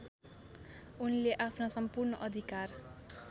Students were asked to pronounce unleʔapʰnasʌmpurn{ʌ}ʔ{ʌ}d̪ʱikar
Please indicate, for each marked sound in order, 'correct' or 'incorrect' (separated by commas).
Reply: correct, correct